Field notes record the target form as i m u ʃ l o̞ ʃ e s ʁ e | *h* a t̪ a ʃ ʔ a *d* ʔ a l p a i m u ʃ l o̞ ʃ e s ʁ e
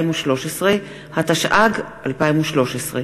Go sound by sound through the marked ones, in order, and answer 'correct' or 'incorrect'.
correct, incorrect: ɡ

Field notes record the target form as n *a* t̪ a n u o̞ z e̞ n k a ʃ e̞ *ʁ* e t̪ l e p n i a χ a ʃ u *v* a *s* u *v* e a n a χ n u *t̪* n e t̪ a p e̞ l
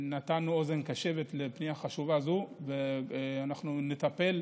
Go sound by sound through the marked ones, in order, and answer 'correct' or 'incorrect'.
correct, incorrect: v, correct, incorrect: z, correct, incorrect: none

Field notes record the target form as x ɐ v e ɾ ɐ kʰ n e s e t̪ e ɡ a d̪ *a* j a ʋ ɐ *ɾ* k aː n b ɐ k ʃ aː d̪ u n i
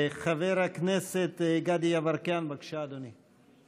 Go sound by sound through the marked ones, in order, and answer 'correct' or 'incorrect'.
incorrect: i, correct

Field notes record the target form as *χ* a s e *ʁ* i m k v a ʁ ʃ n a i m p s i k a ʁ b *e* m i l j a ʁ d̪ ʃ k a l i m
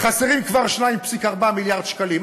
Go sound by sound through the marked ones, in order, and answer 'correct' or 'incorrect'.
correct, correct, incorrect: a

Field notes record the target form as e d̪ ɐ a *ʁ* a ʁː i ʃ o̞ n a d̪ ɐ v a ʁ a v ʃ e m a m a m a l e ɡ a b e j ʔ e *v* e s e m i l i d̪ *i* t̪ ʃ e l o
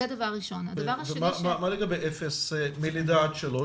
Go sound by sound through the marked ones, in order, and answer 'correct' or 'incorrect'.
incorrect: v, incorrect: f, incorrect: a

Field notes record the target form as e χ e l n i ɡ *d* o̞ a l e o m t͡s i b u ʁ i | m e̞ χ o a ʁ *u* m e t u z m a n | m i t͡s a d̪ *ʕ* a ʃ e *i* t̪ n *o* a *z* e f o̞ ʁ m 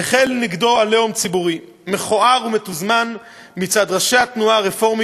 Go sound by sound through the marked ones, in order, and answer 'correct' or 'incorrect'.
correct, correct, incorrect: ʁ, incorrect: a, incorrect: u, incorrect: ʁ

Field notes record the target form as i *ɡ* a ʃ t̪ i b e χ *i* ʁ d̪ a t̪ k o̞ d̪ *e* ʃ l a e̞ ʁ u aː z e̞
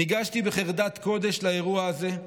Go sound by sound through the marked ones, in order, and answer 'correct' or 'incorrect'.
correct, incorrect: e, correct

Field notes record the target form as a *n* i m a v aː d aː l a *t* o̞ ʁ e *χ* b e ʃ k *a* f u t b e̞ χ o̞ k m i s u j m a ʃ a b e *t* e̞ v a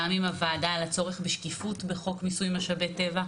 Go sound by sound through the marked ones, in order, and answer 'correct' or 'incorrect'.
incorrect: m, incorrect: t͡s, correct, incorrect: i, correct

